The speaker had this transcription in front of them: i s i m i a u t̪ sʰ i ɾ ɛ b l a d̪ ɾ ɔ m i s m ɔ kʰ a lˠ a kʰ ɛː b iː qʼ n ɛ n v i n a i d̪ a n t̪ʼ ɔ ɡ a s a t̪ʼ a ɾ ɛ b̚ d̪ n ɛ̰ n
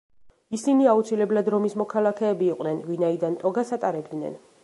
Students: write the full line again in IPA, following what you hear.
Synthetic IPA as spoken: i s i n i a u t̪ sʰ i l ɛ b l a d̪ ɾ ɔ m i s m ɔ kʰ a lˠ a kʰ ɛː b iː qʼ n ɛ n v i n a i d̪ a n t̪ʼ ɔ ɡ a s a t̪ʼ a ɾ ɛ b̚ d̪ n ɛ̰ n